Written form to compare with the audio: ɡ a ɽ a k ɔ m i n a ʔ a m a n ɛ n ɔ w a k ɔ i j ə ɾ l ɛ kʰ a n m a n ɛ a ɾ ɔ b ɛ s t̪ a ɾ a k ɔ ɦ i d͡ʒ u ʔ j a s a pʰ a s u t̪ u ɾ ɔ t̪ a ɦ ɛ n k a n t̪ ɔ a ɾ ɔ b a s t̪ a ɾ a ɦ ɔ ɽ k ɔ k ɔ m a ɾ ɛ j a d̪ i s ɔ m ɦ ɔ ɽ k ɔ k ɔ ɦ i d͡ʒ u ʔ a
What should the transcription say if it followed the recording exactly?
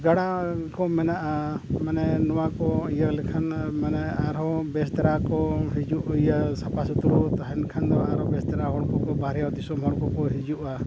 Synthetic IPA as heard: ɡ a ɽ a k ɔ m ɛ n a ʔ a m a n ɛ n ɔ w a k ɔ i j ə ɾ l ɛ kʰ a n m a n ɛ a ɾ ɔ b ɛ s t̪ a ɾ a k ɔ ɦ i d͡ʒ u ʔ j a s a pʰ a s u t̪ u ɾ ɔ t̪ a ɦ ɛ n kʰ a n d̪ ɔ a ɾ ɔ b ɛ s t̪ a ɾ a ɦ ɔ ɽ k ɔ k ɔ b a ɾ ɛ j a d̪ i s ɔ m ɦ ɔ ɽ k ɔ k ɔ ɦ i d͡ʒ u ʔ a

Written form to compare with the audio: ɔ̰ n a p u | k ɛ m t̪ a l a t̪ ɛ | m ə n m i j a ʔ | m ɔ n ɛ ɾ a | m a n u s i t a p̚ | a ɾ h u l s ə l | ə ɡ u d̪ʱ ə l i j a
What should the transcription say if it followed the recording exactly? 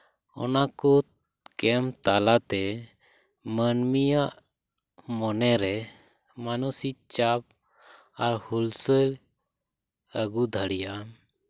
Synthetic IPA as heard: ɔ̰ n a k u | k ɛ m t̪ a l a t̪ ɛ | m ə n m i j a ʔ | m ɔ n ɛ ɾ ɛ | m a n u s i t͡ʃ a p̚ | a ɾ h u l s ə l | ə ɡ u d̪ʱ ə ɽ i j a

